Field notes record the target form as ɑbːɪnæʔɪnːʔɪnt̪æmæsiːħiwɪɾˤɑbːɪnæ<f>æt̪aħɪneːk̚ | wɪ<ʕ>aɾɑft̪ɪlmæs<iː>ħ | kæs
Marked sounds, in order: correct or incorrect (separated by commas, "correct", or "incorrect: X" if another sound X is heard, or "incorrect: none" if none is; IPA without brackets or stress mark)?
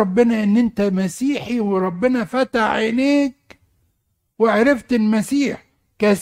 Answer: correct, correct, correct